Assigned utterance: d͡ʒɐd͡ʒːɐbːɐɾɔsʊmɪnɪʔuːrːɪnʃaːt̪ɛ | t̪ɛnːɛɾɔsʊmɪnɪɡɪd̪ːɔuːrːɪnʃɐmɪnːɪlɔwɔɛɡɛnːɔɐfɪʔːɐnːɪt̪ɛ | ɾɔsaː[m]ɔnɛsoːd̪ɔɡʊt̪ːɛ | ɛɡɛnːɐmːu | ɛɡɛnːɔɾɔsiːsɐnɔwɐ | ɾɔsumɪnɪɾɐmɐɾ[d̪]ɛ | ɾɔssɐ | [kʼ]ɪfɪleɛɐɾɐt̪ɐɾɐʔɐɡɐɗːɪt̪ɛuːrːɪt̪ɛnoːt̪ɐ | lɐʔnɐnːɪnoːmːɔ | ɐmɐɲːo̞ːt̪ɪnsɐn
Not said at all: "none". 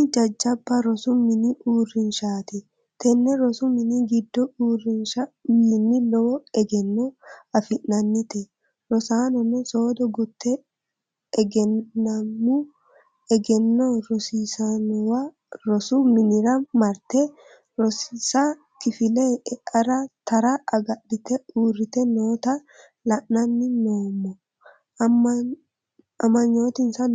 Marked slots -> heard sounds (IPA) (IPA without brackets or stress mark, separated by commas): n, t̪, k